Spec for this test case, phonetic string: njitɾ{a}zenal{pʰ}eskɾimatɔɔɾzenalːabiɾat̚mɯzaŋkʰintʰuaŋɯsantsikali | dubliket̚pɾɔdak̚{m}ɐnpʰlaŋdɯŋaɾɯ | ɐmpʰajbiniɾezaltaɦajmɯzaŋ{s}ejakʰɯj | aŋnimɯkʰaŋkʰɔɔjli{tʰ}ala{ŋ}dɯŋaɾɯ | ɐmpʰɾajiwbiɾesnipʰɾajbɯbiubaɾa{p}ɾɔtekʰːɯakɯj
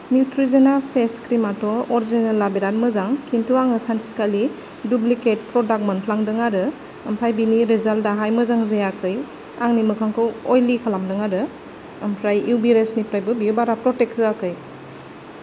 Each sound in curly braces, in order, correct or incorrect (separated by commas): incorrect, correct, correct, incorrect, incorrect, incorrect, correct